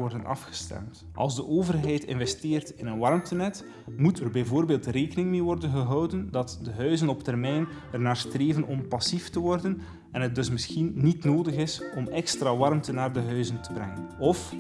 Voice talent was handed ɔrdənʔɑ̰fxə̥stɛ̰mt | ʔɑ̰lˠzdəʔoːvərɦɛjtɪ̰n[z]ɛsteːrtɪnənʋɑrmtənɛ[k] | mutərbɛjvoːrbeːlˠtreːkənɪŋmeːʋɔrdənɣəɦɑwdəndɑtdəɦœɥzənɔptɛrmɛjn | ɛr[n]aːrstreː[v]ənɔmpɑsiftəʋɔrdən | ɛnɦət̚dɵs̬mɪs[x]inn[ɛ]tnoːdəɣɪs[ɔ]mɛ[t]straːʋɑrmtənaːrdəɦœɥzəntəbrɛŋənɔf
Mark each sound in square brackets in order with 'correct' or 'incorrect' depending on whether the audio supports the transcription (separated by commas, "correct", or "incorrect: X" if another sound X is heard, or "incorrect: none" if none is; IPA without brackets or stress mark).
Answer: incorrect: v, incorrect: t, correct, correct, correct, incorrect: i, correct, incorrect: k